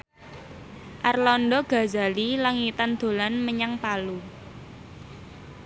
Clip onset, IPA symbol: ʔ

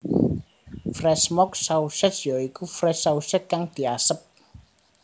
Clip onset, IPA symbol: f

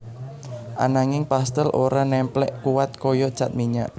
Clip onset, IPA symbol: ʔ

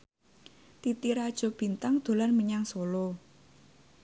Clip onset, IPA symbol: t̪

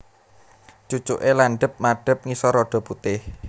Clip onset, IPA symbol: t͡ʃ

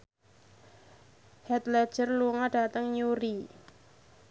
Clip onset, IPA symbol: h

